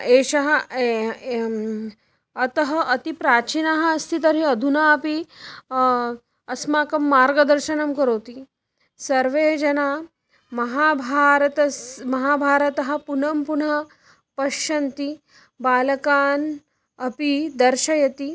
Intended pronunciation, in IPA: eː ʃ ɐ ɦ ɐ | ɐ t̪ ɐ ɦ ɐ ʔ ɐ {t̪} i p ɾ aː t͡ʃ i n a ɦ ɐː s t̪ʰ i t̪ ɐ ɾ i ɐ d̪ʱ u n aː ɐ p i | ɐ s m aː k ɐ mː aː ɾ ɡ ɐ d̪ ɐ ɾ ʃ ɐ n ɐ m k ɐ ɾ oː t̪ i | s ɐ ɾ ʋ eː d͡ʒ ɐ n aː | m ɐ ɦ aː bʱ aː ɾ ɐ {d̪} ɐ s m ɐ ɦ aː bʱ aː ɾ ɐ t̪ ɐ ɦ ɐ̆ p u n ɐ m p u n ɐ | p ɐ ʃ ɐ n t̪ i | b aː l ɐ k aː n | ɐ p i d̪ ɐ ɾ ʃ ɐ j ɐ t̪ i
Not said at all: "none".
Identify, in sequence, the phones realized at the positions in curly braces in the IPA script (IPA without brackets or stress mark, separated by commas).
t̪, t̪